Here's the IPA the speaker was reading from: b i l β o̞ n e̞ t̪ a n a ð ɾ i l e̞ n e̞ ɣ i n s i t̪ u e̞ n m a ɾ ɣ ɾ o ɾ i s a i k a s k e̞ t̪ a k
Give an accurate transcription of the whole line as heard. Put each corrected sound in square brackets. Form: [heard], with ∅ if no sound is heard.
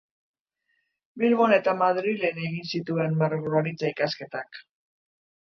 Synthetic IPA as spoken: b i l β o̞ n e̞ t̪ a [m] a ð ɾ i l e̞ n e̞ ɣ i n s i t̪ u e̞ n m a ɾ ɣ ɾ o ɾ i [t͡s] a i k a s k e̞ t̪ a k